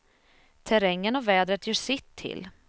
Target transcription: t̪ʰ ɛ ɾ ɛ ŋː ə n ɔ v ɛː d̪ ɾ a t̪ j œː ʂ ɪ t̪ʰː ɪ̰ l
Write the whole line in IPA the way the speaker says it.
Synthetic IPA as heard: t̪ʰ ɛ ɾ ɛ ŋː ə n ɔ v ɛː d̪ ɾ ə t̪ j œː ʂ ɪ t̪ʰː ɪ̰ l